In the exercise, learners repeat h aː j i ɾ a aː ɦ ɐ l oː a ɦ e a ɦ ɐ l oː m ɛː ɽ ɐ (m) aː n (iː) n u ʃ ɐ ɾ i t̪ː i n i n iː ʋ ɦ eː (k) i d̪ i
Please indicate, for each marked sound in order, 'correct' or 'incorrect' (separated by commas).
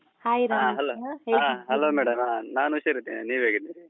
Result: correct, incorrect, incorrect